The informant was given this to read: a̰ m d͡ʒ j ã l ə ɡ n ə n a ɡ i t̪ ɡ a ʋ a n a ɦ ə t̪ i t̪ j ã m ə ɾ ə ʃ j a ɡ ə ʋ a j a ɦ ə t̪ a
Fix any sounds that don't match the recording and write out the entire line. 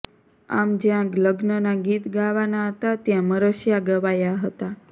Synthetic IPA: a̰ m d͡ʒ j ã l ə ɡ n ə n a ɡ i t̪ ɡ a ʋ a n a ɦ ə t̪ a t̪ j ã m ə ɾ ə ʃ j a ɡ ə ʋ a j a ɦ ə t̪ a